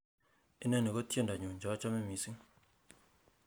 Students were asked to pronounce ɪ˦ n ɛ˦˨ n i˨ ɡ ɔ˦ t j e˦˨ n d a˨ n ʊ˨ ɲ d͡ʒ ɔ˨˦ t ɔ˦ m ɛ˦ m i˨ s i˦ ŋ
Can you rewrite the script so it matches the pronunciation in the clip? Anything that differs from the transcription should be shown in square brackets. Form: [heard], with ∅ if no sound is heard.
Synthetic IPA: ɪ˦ n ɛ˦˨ n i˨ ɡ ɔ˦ t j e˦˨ n d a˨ [ɲ] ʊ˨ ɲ d͡ʒ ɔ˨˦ [t͡ʃ] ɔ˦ m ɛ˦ m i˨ s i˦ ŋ